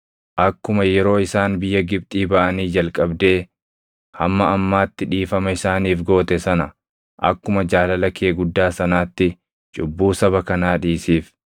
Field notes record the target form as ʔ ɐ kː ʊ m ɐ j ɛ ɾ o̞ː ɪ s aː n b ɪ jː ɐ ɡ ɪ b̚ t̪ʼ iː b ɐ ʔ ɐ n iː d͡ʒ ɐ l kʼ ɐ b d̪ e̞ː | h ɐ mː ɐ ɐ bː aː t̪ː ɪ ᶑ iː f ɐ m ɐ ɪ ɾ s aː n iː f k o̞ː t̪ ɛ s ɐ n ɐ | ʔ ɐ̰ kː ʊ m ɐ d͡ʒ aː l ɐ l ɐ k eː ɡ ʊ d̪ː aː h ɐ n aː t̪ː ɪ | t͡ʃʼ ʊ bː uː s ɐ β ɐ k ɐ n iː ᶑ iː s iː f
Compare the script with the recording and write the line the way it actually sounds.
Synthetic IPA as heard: ʔ ɐ kː ʊ m ɐ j ɛ ɾ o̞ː ɪ s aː n b ɪ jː ɐ ɡ ɪ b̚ t̪ʼ iː b ɐ ʔ ɐ n iː d͡ʒ ɐ l kʼ ɐ b d̪ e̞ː | h ɐ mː ɐ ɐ mː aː t̪ː ɪ ᶑ iː f ɐ m ɐ ɪ s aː n iː f ɡ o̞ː t̪ ɛ s ɐ n ɐ | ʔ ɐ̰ kː ʊ m ɐ d͡ʒ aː l ɐ l ɐ k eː ɡ ʊ d̪ː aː s ɐ n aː t̪ː ɪ | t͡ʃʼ ʊ bː uː s ɐ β ɐ k ɐ n aː ᶑ iː s iː f

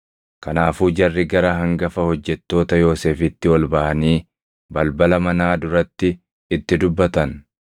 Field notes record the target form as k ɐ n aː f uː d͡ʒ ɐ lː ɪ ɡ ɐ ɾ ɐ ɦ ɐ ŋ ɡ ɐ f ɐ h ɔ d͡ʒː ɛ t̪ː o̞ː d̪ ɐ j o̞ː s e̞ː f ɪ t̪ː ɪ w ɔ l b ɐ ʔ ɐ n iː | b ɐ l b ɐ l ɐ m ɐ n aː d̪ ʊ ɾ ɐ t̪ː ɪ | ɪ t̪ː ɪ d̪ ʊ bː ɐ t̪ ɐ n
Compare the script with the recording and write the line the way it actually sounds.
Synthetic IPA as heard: k ɐ n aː f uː d͡ʒ ɐ rː ɪ ɡ ɐ ɾ ɐ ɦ ɐ ŋ ɡ ɐ f ɐ h ɔ d͡ʒː ɛ t̪ː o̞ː t̪ ɐ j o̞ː s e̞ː f ɪ t̪ː ɪ w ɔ l b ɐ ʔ ɐ n iː | b ɐ l b ɐ l ɐ m ɐ n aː d̪ ʊ ɾ ɐ t̪ː ɪ | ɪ t̪ː ɪ d̪ ʊ bː ɐ t̪ ɐ n

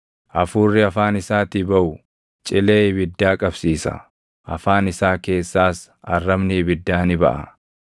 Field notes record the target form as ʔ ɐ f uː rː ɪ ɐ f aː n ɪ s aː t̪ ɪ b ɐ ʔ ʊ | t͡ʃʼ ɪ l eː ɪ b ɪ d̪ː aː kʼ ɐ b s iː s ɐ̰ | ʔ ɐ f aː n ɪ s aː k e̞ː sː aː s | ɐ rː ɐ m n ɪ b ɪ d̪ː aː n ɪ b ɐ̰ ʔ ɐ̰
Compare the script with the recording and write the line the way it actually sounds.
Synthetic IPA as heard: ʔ ɐ f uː rː ɪ ɐ f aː n ɪ s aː t̪ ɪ b ɐ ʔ ʊ | t͡ʃʼ ɪ l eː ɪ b ɪ d̪ː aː kʼ ɐ b s iː s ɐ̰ | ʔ ɐ f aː n ɪ s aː k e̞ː sː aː s | ɐ rː ɐ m n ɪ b ɪ d̪ː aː n ɪ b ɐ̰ ʔ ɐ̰

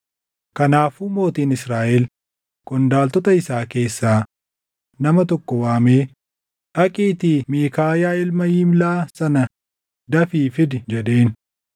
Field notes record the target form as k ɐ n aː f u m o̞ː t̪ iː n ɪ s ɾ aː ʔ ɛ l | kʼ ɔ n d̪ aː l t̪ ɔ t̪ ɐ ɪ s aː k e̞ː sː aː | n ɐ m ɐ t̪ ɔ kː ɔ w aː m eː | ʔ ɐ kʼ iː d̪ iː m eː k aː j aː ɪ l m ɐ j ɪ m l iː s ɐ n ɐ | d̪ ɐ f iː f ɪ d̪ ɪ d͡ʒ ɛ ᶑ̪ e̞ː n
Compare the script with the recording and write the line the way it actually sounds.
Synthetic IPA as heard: k ɐ n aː f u m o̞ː t̪ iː n ɪ s ɾ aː ʔ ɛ l | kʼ ɔ n d̪ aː l t̪ ɔ t̪ ɐ ɪ s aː k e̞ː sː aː | n ɐ m ɐ t̪ ɔ kː ɔ w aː m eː | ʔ ɐ kʼ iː t̪ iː m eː k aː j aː ɪ l m ɐ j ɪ m l aː s ɐ n ɐ | d̪ ɐ f iː f ɪ d̪ ɪ d͡ʒ ɛ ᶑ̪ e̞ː n

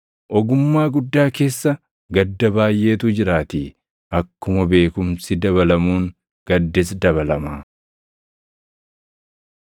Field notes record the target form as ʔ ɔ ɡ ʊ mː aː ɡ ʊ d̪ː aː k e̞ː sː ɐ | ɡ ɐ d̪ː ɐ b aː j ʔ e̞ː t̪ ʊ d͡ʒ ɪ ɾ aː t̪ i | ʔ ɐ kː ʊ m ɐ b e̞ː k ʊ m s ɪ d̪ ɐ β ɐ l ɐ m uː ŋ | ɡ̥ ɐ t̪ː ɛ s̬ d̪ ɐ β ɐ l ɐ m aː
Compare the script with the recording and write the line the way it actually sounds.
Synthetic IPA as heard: ʔ ɔ ɡ ʊ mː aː ɡ ʊ d̪ː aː k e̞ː sː ɐ | ɡ ɐ d̪ː ɐ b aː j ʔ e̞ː t̪ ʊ d͡ʒ ɪ ɾ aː t̪ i | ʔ ɐ kː ʊ m ɐ b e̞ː k ʊ m s ɪ d̪ ɐ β ɐ l ɐ m uː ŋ | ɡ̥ ɐ d̪ː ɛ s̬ d̪ ɐ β ɐ l ɐ m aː

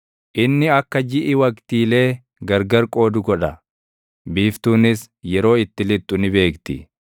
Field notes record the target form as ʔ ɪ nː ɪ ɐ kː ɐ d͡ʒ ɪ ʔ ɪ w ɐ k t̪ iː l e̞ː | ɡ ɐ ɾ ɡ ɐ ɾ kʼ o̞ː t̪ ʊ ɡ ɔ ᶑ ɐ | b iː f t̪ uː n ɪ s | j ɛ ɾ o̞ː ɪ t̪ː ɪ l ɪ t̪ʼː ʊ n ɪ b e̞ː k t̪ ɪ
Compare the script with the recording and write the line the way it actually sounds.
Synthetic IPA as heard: ʔ ɪ nː ɪ ɐ kː ɐ d͡ʒ ɪ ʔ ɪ w ɐ k t̪ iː l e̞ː | ɡ ɐ ɾ ɡ ɐ ɾ kʼ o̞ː d̪ ʊ ɡ ɔ ᶑ ɐ | b iː f t̪ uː n ɪ s | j ɛ ɾ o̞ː ɪ t̪ː ɪ l ɪ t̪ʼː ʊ n ɪ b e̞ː k t̪ ɪ

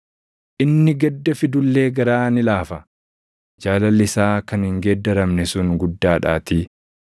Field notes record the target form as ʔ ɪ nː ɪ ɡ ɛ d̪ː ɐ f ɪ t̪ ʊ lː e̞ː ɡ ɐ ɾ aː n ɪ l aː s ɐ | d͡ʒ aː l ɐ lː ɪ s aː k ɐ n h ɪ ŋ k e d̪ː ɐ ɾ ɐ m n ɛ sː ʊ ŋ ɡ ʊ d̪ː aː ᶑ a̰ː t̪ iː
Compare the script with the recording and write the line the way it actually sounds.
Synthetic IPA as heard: ʔ ɪ nː ɪ ɡ ɛ d̪ː ɐ f ɪ d̪ ʊ lː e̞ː ɡ ɐ ɾ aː n ɪ l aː f ɐ | d͡ʒ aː l ɐ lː ɪ s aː k ɐ n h ɪ ŋ ɡ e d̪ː ɐ ɾ ɐ m n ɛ s ʊ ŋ ɡ ʊ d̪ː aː ᶑ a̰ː t̪ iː

